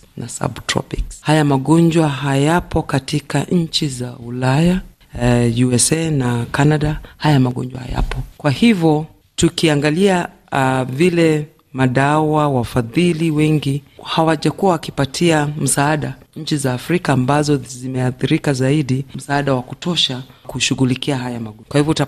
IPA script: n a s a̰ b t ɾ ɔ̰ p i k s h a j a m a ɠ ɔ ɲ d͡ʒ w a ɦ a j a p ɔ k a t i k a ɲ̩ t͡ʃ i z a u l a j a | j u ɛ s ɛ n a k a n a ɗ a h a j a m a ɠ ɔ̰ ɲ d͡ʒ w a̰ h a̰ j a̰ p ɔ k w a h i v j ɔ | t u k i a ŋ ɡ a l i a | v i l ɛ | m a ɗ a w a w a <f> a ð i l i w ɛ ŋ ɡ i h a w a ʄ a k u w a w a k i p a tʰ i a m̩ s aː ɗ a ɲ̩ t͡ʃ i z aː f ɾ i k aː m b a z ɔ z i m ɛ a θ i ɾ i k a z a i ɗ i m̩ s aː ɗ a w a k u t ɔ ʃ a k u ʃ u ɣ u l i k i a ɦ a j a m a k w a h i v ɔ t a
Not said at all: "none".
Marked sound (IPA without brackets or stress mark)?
f